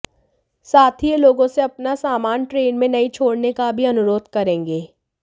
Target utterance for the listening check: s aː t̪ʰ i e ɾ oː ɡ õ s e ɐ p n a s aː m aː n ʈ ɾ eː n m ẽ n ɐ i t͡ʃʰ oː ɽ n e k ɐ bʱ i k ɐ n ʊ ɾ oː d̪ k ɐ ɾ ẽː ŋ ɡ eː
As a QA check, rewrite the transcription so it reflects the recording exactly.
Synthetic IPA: s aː t̪ʰ i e l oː ɡ õ s e ɐ p n a s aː m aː n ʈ ɾ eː n m ẽ n ɐ i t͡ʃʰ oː ɽ n e k a bʱ i ɐ n ʊ ɾ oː d̪ k ɐ ɾ ẽː ŋ ɡ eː